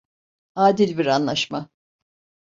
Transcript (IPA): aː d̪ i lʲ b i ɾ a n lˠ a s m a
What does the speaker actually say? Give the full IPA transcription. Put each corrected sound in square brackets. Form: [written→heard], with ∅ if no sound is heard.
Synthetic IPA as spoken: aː d̪ i lʲ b i ɾ a n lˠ a [s→ʃ] m a